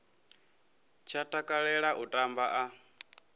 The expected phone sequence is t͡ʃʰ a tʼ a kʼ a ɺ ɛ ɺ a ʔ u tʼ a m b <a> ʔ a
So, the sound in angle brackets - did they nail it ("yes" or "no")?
yes